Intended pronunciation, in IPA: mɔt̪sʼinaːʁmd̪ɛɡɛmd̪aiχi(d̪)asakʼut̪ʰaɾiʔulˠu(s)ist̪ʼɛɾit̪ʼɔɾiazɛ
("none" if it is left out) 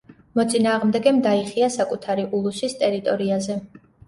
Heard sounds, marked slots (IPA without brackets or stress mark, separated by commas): none, s